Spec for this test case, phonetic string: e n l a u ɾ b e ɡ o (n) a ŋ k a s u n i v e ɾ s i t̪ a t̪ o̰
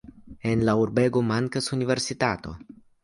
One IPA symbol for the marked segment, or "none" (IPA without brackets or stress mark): m